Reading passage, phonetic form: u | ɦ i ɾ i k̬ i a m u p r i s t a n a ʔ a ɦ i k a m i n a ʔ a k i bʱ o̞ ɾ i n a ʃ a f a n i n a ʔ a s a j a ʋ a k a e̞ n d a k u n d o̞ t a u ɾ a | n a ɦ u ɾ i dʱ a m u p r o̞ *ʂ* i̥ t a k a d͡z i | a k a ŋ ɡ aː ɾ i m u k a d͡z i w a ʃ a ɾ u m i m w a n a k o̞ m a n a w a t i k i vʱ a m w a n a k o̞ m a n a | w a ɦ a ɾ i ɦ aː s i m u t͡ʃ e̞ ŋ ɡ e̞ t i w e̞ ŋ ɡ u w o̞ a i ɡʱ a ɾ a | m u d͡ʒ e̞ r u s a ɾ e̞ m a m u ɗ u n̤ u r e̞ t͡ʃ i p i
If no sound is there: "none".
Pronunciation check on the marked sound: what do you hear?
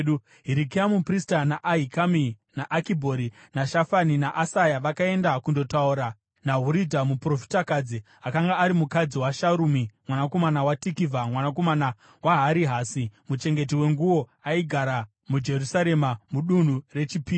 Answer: f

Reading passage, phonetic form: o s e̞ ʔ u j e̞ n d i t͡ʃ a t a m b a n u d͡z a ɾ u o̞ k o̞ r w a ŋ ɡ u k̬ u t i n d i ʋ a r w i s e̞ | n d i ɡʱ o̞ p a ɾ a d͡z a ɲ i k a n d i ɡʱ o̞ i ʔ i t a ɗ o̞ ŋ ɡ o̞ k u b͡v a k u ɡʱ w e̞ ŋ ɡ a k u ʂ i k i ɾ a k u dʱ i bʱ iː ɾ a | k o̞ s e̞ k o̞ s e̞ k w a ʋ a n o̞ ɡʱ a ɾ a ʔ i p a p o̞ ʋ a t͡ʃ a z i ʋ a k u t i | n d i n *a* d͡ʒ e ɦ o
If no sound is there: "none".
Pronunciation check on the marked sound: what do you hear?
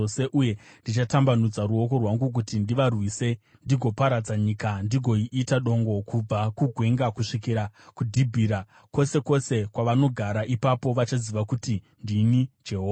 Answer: i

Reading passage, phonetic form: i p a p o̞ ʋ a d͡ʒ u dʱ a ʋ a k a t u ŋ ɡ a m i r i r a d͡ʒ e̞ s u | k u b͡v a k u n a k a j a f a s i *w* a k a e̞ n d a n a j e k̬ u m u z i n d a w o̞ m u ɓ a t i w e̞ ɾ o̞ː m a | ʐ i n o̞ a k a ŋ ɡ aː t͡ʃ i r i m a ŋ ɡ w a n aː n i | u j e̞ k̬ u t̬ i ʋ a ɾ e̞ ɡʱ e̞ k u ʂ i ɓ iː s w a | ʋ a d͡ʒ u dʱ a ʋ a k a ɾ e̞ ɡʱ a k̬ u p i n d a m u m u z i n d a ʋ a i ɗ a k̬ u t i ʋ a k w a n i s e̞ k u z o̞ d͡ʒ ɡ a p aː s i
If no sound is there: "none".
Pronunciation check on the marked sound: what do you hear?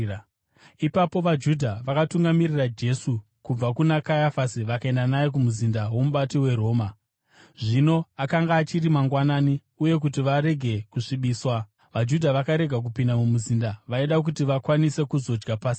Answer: ʋ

